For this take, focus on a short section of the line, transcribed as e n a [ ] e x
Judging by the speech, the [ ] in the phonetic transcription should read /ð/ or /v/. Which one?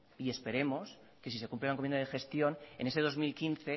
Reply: ð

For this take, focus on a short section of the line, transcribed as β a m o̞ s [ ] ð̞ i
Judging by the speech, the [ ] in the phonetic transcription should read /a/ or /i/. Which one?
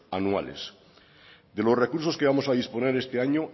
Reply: a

